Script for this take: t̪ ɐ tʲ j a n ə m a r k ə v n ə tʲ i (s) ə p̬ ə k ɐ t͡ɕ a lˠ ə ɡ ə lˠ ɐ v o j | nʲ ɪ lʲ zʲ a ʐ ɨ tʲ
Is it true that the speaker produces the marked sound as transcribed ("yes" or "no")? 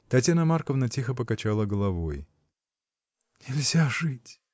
no